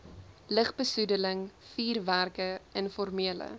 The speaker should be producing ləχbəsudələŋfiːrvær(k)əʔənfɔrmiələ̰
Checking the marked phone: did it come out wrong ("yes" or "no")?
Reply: no